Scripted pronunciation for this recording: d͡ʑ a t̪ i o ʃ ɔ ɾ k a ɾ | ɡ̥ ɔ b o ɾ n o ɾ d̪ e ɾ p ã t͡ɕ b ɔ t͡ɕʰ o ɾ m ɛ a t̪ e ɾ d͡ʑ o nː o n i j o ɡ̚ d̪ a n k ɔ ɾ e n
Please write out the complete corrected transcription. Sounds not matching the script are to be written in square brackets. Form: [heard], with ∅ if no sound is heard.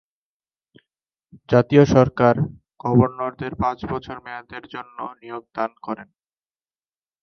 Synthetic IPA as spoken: d͡ʑ a t̪ i o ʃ ɔ ɾ k a ɾ | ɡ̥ ɔ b o ɾ n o ɾ d̪ e ɾ p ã t͡ɕ b ɔ t͡ɕʰ o ɾ m ɛ a [d̪] e ɾ d͡ʑ o nː o n i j o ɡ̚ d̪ a n k ɔ ɾ e n

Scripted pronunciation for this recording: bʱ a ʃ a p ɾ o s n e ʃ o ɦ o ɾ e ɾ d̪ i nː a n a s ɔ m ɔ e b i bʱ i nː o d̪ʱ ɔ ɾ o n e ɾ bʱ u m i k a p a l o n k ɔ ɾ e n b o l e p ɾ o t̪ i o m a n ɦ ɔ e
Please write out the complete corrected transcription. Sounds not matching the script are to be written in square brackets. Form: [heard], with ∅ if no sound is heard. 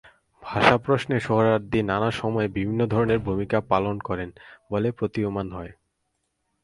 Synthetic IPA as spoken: bʱ a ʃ a p ɾ o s n e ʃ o ɦ o ɾ [a] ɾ d̪ i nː a n a [ʃ] ɔ m ɔ e b i bʱ i nː o d̪ʱ ɔ ɾ o n e ɾ bʱ u m i k a p a l o n k ɔ ɾ e n b o l e p ɾ o t̪ i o m a n ɦ ɔ e

